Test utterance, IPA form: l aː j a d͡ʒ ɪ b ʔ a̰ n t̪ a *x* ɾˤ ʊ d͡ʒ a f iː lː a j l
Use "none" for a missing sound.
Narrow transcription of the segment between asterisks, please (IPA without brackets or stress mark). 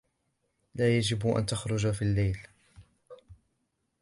x